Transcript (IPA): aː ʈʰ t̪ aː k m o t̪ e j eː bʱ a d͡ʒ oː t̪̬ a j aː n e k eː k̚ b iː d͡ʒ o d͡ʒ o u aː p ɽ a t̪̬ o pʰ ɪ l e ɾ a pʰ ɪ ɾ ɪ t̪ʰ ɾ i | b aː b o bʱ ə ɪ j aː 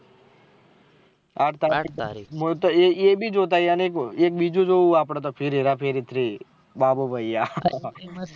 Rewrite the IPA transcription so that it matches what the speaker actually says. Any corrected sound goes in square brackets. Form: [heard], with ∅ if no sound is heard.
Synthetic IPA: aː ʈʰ t̪ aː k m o t̪ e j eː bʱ [i] d͡ʒ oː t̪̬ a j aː n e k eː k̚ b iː d͡ʒ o d͡ʒ o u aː p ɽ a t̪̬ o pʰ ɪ [ɾ] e ɾ a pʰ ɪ ɾ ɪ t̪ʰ ɾ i | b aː b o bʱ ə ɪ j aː